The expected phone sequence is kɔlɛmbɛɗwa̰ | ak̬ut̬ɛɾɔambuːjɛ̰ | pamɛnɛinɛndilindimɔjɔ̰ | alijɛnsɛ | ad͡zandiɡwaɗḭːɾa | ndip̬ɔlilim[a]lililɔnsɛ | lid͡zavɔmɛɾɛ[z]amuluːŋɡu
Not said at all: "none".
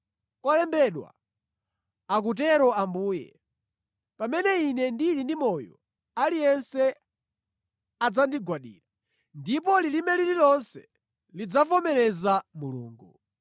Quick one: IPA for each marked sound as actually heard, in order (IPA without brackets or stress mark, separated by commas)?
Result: ɛ, z